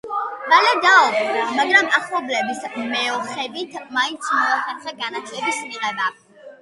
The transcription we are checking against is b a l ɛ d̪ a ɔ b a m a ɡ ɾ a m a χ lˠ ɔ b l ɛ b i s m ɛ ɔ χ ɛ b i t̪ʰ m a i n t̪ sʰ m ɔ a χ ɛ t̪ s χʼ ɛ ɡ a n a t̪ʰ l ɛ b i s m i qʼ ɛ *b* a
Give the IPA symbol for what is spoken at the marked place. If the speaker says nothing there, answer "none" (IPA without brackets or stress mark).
b